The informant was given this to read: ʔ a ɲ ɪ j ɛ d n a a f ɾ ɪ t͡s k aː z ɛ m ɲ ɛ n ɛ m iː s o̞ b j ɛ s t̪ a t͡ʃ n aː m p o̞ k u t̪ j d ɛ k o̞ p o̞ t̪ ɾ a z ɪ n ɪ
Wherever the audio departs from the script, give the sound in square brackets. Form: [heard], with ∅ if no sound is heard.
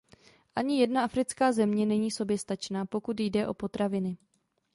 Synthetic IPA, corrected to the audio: ʔ a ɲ ɪ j ɛ d n a a f ɾ ɪ t͡s k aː z ɛ m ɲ ɛ n ɛ [ɲ] iː s o̞ b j ɛ s t̪ a t͡ʃ n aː [∅] p o̞ k u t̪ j d ɛ [ʔ] o̞ p o̞ t̪ ɾ a [v] ɪ n ɪ

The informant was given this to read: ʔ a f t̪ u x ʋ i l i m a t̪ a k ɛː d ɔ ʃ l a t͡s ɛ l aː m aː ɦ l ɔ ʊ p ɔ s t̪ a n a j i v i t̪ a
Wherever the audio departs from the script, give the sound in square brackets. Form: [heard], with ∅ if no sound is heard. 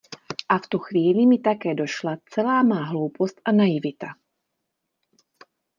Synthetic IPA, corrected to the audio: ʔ a f t̪ u x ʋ [iː] l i m [i] t̪ a k ɛː d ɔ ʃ l a t͡s ɛ l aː m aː ɦ l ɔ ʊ p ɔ s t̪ a n a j i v i t̪ a

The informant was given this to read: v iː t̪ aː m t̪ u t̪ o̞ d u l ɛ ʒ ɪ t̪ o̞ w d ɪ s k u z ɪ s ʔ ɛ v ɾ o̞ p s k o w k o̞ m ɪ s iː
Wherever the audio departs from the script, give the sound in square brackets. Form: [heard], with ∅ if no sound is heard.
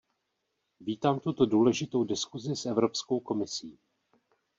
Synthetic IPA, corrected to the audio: v iː t̪ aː m t̪ u t̪ o̞ d [uː] l ɛ ʒ ɪ t̪ o̞ w d ɪ s k u z ɪ s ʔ ɛ v ɾ o̞ p s k o w k o̞ m ɪ s iː

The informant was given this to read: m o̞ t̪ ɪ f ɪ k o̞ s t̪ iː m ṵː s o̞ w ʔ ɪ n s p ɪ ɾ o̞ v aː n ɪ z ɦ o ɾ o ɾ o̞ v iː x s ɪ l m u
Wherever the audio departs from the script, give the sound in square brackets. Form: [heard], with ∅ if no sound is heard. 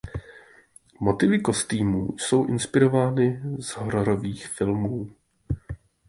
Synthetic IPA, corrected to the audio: m o̞ t̪ ɪ [v] ɪ k o̞ s t̪ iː m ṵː s o̞ w ʔ ɪ n s p ɪ ɾ o̞ v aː n ɪ z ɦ o ɾ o ɾ o̞ v iː x [f] ɪ l m [uː]

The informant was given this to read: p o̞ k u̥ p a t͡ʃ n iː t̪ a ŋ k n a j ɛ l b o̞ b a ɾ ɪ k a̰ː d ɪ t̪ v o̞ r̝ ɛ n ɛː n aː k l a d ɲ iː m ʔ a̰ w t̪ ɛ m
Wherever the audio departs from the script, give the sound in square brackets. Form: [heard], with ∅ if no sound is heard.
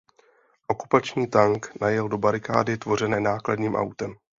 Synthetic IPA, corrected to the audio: [ʔ] o̞ k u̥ p a t͡ʃ [ɲ] iː t̪ a ŋ k n a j ɛ l [d] o̞ b a ɾ ɪ k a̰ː d ɪ t̪ v o̞ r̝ ɛ n ɛː n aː k l a d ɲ iː m ʔ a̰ w t̪ ɛ m

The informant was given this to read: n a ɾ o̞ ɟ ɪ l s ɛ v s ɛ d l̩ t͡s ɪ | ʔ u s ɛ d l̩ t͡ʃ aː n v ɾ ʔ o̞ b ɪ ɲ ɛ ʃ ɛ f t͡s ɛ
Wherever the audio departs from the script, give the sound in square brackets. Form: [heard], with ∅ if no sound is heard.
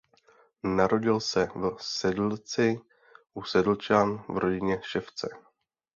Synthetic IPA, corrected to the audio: n a ɾ o̞ ɟ ɪ l s ɛ v s ɛ d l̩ t͡s ɪ | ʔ u s ɛ d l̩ t͡ʃ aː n v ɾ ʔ o̞ [ɟ] ɪ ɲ ɛ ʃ ɛ f t͡s ɛ

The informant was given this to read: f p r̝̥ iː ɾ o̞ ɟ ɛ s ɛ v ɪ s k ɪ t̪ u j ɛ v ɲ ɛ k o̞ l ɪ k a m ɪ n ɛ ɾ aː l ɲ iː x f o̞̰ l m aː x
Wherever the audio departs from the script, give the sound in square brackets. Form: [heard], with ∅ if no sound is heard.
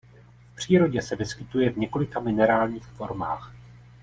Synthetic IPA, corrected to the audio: f p r̝̥ iː ɾ o̞ ɟ ɛ s ɛ v ɪ s k ɪ t̪ u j ɛ v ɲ ɛ k o̞ l ɪ k a m ɪ n ɛ ɾ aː l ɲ iː x f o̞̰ [ɾ] m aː x

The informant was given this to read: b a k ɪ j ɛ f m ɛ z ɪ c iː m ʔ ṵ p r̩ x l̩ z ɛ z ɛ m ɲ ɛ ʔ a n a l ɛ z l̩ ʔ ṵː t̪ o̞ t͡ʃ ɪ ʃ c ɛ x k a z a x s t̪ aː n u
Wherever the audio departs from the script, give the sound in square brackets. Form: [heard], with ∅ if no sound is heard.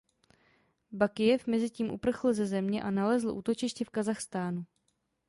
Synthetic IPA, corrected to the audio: b a k ɪ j ɛ f m ɛ z ɪ c iː m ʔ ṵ p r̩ x l̩ z ɛ z ɛ m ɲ ɛ ʔ a n a l ɛ z l̩ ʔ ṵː t̪ o̞ t͡ʃ ɪ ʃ c ɛ [f] k a z a x s t̪ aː n u

